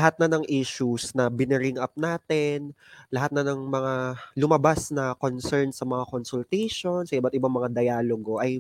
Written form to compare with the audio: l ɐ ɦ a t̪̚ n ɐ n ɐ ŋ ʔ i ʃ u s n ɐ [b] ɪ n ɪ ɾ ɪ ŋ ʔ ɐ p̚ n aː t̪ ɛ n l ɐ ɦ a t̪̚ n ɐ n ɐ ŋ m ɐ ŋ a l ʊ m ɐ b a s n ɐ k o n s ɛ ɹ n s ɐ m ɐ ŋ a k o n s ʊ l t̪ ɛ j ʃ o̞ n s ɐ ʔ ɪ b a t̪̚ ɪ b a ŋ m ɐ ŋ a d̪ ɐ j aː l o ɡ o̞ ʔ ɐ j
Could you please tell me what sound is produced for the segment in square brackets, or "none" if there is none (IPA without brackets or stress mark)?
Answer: b